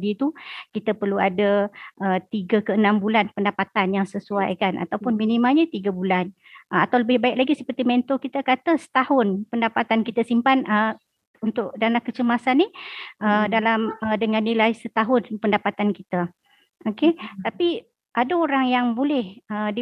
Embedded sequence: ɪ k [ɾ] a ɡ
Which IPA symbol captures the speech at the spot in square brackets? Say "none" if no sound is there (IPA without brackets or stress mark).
l